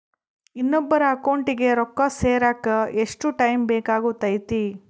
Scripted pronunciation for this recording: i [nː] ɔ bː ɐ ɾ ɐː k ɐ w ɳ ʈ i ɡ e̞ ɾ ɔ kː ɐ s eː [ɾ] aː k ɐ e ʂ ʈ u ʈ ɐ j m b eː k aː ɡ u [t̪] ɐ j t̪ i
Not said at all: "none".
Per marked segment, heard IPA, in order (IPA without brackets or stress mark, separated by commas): nː, ɾ, t̪